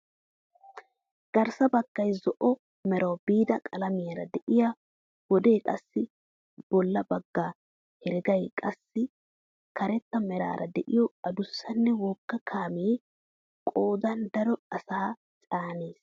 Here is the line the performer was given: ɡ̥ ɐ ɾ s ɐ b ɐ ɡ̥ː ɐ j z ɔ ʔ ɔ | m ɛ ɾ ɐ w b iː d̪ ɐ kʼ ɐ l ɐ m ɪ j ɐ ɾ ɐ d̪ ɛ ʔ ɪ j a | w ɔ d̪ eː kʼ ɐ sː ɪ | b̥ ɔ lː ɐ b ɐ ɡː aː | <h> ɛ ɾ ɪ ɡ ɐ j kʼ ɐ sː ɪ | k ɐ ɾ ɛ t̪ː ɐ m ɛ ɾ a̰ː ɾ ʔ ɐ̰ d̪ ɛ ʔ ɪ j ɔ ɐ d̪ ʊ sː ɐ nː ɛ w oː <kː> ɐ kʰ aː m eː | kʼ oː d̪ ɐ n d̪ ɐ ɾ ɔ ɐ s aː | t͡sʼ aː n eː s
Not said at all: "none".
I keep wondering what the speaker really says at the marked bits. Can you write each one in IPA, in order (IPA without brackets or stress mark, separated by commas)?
h, kː